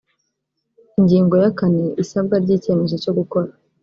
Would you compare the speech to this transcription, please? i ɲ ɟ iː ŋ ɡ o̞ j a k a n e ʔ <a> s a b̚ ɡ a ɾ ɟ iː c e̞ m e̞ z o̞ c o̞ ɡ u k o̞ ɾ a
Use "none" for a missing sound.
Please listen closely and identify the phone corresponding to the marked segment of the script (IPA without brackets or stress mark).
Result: i